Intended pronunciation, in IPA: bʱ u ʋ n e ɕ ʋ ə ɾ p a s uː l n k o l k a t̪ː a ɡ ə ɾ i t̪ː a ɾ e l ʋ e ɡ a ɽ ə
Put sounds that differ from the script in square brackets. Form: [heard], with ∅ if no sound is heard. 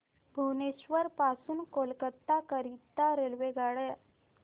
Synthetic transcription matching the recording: bʱ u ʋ n e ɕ ʋ ə ɾ p a s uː [∅] n k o l k [ə] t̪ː a [k] ə ɾ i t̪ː a ɾ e l ʋ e ɡ a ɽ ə